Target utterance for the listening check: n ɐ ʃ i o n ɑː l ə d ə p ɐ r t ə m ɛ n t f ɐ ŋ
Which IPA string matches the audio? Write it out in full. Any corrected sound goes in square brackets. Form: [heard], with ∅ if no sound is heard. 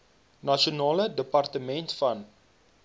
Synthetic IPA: n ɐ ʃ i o n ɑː l ə d ə p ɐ r t ə m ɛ n t f ɐ [n]